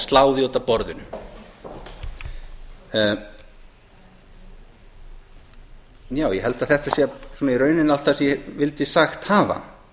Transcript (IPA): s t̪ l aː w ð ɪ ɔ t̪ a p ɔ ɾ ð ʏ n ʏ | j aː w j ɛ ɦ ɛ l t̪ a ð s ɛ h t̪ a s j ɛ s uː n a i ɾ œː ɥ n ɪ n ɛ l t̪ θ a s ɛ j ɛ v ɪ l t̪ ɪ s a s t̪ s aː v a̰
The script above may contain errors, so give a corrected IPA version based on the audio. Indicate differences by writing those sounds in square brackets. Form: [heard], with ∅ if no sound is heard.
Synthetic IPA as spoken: s t̪ l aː w ð ɪ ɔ t̪ a p ɔ ɾ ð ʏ n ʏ | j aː w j ɛ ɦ ɛ l t̪ a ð [θ] ɛ h t̪ a s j ɛ s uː n a i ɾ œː ɥ n ɪ n [a] l t̪ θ a s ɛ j ɛ v ɪ l t̪ ɪ s a [x] t̪ [h] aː v a̰